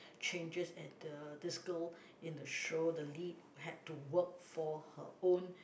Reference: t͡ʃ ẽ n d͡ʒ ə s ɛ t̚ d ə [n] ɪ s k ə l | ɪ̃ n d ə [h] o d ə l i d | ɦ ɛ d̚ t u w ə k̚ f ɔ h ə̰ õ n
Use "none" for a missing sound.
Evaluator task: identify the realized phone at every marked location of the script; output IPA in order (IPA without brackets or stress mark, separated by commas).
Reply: d, ʃ